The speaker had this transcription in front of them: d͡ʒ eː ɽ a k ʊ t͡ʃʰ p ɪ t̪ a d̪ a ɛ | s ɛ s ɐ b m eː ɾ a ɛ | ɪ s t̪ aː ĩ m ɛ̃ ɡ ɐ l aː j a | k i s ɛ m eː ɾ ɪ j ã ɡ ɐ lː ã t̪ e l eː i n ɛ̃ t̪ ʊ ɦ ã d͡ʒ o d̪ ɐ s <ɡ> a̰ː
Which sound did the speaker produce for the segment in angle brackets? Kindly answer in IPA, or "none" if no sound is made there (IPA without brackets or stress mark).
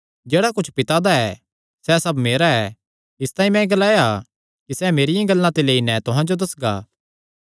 ɡ